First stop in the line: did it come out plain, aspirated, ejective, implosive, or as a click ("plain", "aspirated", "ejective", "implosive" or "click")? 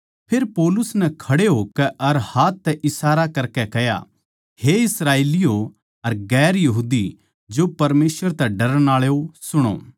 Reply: aspirated